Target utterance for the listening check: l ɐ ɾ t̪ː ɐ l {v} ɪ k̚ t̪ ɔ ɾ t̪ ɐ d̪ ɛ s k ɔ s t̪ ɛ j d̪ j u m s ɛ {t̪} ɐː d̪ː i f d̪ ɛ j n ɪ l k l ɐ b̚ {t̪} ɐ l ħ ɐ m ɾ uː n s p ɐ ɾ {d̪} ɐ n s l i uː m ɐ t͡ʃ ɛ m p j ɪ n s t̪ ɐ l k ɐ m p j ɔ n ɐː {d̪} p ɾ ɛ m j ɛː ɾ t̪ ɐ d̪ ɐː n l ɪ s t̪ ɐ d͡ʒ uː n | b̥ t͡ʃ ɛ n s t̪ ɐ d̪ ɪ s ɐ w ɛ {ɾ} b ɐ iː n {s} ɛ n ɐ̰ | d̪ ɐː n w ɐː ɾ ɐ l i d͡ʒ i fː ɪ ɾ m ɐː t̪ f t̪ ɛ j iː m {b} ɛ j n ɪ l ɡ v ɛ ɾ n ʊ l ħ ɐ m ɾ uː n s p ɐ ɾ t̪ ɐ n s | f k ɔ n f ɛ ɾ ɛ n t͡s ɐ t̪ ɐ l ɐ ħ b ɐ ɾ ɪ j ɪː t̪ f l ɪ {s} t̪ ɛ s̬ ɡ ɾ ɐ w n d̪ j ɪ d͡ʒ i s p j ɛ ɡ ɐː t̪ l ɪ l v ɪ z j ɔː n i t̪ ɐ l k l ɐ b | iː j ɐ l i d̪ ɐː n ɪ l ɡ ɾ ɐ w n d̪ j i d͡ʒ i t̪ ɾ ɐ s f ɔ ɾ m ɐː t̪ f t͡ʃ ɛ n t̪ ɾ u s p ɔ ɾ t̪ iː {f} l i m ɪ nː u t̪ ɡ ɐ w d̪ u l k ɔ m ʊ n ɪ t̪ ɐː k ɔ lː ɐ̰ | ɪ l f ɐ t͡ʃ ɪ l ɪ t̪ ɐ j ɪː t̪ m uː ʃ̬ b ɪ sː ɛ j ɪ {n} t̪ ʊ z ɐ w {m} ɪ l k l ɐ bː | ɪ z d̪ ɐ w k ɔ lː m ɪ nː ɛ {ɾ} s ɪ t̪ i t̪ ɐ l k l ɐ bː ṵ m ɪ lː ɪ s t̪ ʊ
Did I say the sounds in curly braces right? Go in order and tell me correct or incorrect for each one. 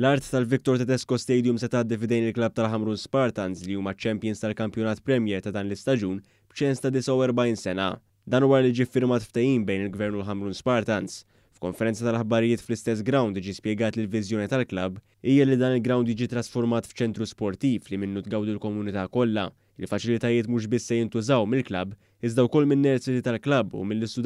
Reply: correct, correct, correct, incorrect: t̪, incorrect: t̪, correct, correct, correct, correct, correct, correct, correct, correct

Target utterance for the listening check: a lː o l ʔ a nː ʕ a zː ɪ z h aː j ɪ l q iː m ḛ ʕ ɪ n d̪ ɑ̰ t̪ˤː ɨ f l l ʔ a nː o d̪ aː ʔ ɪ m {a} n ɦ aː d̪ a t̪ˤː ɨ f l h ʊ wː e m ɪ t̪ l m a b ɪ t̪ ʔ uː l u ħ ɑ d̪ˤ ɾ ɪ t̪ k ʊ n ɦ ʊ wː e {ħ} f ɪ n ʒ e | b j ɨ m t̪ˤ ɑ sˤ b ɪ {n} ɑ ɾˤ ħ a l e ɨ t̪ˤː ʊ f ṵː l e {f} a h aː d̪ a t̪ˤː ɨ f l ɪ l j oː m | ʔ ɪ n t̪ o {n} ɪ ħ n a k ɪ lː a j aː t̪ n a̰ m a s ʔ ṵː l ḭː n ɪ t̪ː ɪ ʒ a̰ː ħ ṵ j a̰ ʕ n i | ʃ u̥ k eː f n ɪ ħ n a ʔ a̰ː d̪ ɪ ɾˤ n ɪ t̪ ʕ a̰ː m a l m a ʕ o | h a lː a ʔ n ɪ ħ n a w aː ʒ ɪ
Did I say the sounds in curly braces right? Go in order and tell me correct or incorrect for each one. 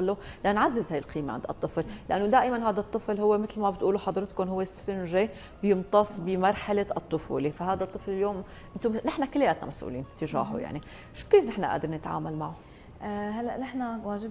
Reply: correct, incorrect: s, incorrect: m, correct, correct

